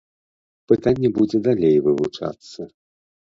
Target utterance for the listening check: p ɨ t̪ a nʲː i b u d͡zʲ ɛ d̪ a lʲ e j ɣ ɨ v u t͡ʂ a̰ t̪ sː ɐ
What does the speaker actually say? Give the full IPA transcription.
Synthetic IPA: p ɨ t̪ a nʲː ɛ b u d͡zʲ ɛ d̪ a lʲ e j v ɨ v u t͡ʂ a̰ t̪ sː ɐ